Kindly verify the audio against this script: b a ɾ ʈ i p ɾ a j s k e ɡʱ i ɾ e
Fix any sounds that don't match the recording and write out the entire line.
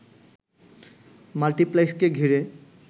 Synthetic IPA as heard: m a l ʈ i p l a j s k e ɡʱ i ɾ e